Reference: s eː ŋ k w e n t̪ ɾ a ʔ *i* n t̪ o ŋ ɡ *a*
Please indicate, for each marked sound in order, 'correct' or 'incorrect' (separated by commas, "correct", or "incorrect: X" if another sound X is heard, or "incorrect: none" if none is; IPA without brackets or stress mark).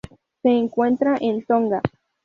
incorrect: e, correct